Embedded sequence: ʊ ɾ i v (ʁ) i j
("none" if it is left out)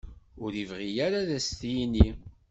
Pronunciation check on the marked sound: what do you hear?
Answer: ʁ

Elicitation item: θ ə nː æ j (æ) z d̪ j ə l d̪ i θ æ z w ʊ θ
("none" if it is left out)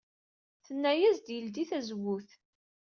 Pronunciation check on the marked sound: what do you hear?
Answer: æ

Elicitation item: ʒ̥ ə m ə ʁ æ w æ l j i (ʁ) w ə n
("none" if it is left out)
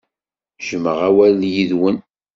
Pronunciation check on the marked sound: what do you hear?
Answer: ð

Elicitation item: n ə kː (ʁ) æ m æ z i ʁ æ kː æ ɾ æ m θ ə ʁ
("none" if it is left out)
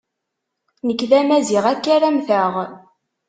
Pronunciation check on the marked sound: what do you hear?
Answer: ð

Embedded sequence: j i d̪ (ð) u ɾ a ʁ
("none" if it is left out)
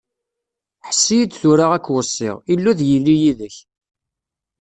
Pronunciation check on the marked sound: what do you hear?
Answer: θ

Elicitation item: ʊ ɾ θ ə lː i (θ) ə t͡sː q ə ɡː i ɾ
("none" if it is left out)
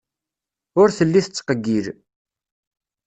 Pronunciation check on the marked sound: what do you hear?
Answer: θ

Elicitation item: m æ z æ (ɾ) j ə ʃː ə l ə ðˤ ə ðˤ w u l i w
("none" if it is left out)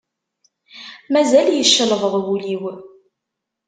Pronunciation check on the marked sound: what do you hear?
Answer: l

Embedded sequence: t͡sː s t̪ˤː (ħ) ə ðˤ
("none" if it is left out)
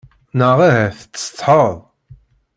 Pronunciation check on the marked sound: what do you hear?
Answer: ħ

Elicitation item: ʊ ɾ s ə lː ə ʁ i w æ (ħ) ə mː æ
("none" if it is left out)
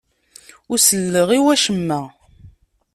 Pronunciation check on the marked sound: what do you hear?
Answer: ʃ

